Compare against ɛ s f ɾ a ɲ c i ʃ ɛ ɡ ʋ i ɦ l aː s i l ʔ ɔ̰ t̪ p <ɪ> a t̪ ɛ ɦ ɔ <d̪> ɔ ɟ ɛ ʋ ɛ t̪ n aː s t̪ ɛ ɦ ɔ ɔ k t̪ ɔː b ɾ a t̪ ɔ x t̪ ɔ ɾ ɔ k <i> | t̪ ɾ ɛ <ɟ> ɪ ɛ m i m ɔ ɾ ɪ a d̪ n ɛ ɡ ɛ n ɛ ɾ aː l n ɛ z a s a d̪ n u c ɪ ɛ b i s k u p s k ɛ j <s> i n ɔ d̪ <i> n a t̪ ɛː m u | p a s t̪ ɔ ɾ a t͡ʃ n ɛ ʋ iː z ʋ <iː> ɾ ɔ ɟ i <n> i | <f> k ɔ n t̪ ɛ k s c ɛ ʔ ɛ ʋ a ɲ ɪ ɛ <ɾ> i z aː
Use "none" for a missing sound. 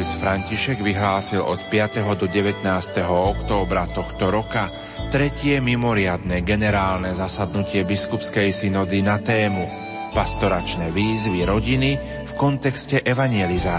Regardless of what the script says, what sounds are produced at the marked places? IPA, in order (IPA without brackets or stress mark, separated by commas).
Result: ɪ, d̪, a, c, s, i, i, n, f, l